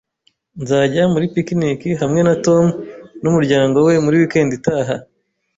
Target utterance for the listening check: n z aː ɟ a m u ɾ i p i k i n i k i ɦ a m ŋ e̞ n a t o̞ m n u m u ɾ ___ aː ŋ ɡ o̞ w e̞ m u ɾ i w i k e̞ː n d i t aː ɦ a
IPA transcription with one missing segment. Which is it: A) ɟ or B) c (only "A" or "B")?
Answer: A